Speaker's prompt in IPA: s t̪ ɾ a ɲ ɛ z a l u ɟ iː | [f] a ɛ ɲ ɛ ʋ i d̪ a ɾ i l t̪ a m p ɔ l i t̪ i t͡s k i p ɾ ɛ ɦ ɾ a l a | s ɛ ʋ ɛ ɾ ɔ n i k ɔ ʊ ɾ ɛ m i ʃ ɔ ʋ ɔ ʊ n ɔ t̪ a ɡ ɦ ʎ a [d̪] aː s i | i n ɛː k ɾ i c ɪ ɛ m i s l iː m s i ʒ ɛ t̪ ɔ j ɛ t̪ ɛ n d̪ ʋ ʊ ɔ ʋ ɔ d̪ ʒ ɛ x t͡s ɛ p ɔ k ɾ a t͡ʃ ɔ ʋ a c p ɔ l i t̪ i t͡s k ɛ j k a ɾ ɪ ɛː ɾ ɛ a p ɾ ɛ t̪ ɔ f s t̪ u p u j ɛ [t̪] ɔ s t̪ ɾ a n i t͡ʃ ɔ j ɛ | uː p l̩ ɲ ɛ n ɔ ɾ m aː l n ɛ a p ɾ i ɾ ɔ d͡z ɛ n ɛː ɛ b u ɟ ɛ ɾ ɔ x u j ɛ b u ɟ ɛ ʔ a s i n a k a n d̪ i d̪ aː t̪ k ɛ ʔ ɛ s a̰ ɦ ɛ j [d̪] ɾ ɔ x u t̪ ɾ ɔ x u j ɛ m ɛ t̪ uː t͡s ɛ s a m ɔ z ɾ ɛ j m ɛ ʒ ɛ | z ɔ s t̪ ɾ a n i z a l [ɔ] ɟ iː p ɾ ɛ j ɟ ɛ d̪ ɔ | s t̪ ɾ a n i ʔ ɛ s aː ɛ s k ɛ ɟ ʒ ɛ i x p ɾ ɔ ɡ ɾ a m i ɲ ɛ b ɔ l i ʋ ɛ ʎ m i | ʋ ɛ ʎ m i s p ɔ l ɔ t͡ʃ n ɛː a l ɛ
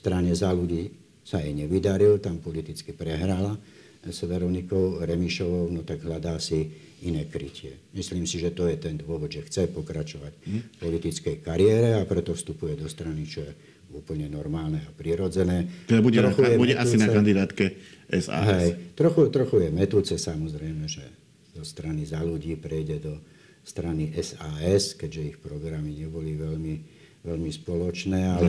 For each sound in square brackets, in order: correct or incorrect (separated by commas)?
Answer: incorrect, correct, incorrect, incorrect, incorrect